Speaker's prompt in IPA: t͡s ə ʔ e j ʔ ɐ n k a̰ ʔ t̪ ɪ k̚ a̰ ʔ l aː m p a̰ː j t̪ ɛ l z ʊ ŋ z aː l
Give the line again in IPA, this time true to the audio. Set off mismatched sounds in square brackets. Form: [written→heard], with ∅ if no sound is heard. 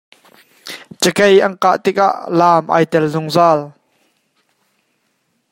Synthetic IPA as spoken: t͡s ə [ʔ→k] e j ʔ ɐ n k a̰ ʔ t̪ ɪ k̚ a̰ ʔ l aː m [p→ʔ] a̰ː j t̪ ɛ l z ʊ ŋ z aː l